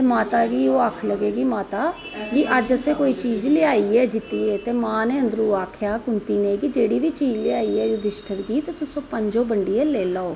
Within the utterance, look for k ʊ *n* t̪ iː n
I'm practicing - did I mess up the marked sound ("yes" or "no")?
no